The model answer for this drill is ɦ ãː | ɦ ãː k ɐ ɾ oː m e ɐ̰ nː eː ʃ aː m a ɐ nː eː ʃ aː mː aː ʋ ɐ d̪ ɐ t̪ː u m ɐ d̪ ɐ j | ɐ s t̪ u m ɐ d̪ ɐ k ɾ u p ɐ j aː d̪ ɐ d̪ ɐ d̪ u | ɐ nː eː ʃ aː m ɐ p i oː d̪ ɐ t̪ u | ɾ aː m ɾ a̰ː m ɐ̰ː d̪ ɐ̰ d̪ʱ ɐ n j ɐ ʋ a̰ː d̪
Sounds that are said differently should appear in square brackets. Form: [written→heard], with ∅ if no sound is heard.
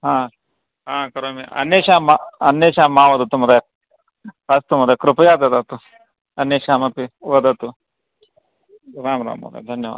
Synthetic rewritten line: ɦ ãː | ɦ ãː k ɐ ɾ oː m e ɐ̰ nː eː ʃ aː m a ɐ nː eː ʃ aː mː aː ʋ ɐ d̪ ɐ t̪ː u m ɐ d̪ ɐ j | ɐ s t̪ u m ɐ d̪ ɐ k ɾ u p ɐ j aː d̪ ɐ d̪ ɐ [d̪→t̪] u | ɐ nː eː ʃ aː m ɐ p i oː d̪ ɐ t̪ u | ɾ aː m ɾ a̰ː m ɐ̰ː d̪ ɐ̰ d̪ʱ ɐ n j ɐ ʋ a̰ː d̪